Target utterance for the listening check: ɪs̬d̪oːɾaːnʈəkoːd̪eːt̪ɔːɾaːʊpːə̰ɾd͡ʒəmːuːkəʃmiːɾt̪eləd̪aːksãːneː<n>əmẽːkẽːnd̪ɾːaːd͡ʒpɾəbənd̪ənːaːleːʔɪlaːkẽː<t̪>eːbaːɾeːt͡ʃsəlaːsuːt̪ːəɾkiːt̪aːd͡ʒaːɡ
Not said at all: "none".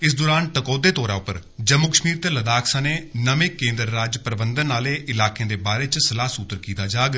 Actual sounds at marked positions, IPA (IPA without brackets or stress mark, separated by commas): n, d̪